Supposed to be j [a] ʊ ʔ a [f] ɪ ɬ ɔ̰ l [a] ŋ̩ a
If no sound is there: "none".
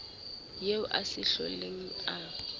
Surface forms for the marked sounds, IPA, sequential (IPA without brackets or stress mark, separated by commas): e, s, e